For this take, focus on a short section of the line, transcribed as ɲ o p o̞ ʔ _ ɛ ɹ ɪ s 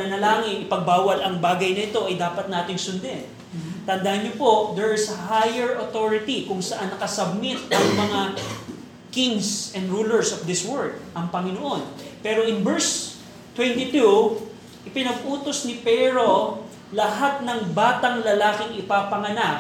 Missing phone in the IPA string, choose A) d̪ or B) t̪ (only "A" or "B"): A